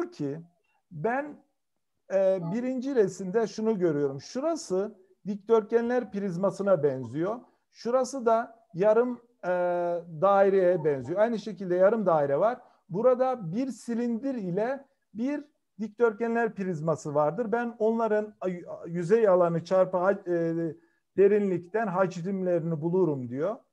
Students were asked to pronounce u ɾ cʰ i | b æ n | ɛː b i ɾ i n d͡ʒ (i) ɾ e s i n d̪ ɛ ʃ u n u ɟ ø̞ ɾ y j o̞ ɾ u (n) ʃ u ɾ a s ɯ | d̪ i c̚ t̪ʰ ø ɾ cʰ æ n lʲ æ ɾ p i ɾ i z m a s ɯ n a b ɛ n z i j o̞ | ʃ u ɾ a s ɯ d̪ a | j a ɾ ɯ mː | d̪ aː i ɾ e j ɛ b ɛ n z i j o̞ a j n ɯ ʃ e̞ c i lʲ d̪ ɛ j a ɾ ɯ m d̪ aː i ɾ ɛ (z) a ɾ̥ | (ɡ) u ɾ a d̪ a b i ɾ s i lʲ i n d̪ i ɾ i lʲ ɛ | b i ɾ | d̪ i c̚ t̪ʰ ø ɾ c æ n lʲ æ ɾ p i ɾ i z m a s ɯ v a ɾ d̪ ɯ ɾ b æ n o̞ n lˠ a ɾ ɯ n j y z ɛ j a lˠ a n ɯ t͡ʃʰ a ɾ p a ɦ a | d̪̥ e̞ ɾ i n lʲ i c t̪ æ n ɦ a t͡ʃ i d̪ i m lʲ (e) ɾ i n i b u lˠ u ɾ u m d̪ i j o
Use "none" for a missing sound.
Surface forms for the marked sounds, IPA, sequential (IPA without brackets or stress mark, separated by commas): i, m, v, b, e